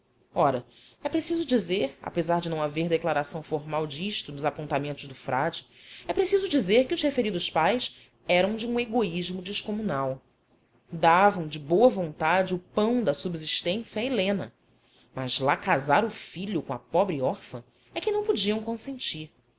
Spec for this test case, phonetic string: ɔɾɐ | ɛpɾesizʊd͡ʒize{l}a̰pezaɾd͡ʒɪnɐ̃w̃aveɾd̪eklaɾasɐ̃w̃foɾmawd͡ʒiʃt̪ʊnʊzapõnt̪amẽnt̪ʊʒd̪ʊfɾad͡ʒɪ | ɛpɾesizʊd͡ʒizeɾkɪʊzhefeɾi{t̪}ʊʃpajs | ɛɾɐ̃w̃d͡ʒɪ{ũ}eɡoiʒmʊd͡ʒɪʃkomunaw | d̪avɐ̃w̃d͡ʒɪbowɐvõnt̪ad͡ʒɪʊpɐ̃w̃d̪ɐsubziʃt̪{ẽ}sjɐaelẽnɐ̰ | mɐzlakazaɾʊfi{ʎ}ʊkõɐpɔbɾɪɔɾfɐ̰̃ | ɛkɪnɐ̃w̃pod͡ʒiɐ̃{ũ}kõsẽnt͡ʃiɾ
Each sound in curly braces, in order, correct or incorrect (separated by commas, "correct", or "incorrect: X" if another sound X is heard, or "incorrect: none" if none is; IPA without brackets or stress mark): incorrect: ɾ, incorrect: d̪, correct, correct, correct, incorrect: w̃